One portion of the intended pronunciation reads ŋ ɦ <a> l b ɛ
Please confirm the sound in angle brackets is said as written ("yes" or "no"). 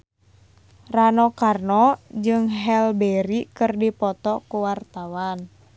no